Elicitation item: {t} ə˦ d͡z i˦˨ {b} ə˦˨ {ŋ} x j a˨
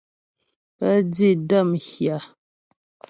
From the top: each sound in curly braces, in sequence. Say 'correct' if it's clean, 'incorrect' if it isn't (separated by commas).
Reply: incorrect, incorrect, incorrect